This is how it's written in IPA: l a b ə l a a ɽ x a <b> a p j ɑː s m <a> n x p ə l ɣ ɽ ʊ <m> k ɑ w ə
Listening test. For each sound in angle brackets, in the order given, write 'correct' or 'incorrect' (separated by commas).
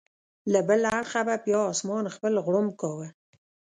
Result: correct, incorrect, correct